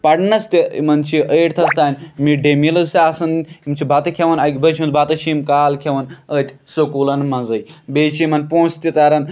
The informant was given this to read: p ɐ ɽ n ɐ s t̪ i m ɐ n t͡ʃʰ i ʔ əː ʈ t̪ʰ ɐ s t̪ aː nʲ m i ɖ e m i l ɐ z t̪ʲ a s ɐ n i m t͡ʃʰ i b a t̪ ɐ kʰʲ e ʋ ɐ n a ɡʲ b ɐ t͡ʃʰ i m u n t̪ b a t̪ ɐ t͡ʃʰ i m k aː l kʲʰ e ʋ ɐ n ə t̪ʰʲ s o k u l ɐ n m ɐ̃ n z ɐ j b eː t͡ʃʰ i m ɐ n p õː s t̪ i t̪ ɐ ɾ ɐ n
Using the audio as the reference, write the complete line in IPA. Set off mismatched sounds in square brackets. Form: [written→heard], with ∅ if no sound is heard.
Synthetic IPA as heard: p ɐ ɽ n ɐ s t̪ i m ɐ n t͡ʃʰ i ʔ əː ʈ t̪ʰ ɐ s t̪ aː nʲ m i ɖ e m i l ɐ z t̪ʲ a s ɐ n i m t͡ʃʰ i b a t̪ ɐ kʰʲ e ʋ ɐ n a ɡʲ b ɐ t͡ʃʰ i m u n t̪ b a t̪ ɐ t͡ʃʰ i m k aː l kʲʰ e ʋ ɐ n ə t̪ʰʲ s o k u l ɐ n m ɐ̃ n z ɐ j b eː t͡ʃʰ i m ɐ n p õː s t̪ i t̪ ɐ ɾ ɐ n